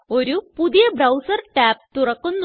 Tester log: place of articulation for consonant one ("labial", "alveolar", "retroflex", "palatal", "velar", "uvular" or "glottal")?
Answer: alveolar